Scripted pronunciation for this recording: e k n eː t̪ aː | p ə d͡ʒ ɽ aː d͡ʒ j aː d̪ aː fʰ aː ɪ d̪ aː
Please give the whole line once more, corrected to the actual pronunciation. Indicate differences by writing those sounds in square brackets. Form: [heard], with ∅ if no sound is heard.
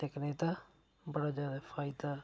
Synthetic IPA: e k n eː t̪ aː | [b] ə [∅] ɽ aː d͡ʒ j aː d̪ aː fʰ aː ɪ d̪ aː